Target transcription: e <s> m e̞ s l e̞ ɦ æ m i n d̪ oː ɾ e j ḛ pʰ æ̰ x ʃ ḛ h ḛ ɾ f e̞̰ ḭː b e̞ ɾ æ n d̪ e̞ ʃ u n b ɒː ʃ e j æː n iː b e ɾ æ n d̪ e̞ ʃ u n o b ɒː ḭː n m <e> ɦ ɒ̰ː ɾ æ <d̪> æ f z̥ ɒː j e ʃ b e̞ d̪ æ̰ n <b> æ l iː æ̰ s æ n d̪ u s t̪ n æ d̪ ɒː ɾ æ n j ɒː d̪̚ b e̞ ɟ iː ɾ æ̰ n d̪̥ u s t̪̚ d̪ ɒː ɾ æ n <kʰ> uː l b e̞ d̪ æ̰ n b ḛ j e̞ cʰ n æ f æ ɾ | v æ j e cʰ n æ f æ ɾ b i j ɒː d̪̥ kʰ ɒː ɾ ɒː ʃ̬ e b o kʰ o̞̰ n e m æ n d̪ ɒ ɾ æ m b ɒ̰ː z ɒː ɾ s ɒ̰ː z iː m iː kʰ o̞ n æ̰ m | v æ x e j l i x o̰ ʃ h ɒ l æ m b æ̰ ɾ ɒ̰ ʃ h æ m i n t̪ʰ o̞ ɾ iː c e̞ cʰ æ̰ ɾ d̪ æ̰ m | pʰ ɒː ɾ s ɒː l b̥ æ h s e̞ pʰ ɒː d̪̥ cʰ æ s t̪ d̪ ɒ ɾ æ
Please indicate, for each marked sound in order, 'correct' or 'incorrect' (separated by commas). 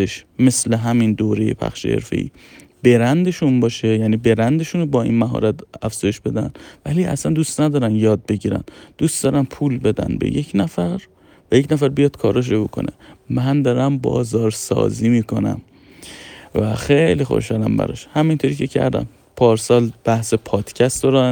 incorrect, incorrect, incorrect, incorrect, incorrect